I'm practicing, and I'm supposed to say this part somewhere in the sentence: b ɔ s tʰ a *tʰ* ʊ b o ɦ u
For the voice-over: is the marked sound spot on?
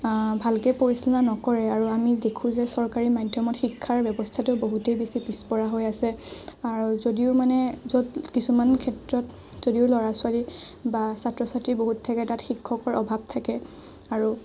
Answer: no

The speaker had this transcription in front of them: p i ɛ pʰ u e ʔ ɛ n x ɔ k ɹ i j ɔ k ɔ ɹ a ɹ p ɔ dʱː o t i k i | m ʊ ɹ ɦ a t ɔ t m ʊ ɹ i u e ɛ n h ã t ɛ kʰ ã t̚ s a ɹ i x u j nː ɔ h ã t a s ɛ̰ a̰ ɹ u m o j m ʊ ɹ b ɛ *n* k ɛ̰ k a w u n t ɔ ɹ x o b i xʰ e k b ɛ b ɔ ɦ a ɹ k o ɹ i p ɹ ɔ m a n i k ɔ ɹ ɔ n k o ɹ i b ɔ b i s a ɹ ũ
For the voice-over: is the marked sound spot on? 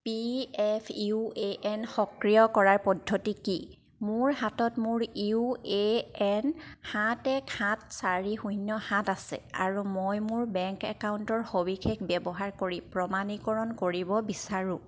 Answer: no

